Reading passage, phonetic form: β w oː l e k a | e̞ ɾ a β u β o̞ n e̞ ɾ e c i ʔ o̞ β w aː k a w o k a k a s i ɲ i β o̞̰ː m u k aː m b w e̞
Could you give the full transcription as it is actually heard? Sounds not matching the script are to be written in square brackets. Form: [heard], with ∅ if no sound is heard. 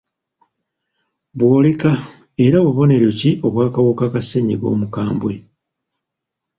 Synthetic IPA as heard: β w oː l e k a | e̞ ɾ a β u β o̞ n e̞ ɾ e c i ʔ o̞ β w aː k a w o k a k a s [e] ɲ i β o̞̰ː m u k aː m b w e̞